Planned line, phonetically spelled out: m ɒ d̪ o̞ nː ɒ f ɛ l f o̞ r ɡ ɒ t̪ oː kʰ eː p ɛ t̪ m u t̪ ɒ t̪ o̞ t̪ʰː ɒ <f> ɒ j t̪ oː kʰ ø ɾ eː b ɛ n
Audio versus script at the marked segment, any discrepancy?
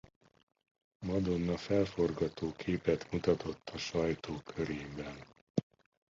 yes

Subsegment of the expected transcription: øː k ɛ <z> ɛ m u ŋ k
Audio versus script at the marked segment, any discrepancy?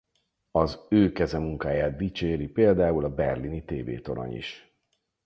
no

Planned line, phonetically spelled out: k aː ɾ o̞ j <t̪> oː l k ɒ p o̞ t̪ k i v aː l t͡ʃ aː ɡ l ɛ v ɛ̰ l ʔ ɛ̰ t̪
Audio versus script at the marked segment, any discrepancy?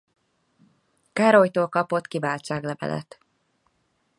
no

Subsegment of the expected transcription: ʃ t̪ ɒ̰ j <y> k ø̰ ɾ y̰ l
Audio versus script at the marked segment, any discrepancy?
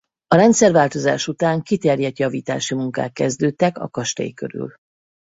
yes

